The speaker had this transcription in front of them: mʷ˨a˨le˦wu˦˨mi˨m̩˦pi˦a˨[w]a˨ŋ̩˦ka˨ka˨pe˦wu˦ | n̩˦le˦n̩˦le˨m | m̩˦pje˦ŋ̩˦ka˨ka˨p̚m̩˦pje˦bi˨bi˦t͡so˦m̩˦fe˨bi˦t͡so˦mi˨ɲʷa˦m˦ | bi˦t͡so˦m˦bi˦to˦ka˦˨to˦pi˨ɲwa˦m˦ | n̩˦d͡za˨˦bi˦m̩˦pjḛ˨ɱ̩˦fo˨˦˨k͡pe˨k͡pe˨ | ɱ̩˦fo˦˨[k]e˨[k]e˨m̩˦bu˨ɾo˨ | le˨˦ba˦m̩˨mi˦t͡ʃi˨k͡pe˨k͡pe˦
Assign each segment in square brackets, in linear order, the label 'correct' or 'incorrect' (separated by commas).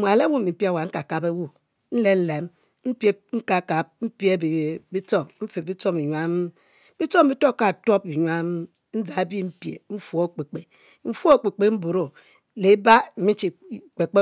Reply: correct, incorrect, incorrect